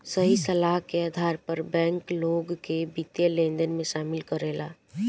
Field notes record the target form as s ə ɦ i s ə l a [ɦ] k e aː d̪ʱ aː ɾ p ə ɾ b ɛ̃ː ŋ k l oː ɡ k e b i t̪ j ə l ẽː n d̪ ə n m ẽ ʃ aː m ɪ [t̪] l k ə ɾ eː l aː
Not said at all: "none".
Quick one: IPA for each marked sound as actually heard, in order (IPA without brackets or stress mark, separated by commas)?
ɦ, none